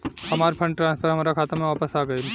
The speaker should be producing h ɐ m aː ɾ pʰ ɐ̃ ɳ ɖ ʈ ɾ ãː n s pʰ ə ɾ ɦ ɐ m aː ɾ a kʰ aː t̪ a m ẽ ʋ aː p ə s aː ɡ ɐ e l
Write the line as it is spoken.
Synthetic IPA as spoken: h ɐ m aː ɾ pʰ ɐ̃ ɳ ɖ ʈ ɾ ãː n s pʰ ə ɾ ɦ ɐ m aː ɾ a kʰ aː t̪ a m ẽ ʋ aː p ə s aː ɡ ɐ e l